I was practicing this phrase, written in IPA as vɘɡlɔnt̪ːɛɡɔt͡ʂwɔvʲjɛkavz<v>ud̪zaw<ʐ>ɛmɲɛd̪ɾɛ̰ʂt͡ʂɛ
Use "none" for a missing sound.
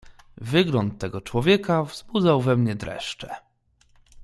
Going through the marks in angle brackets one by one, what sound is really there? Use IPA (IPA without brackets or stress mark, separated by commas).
b, v